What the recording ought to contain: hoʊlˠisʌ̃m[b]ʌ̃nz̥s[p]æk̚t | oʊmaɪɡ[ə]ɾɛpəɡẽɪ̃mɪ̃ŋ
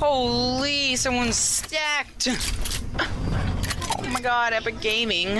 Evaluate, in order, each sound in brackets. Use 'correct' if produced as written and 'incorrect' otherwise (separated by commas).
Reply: incorrect, incorrect, incorrect